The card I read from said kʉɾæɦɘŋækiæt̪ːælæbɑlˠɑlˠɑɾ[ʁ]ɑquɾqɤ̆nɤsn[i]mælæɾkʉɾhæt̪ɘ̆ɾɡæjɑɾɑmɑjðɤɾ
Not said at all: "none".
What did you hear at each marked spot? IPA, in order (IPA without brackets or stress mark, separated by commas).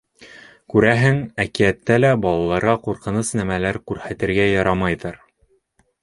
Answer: ʁ, æ